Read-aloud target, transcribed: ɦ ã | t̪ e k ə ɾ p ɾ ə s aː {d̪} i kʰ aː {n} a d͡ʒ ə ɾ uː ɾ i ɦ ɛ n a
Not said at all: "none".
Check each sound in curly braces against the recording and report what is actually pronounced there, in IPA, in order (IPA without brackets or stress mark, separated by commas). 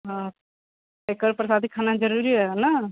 d̪, n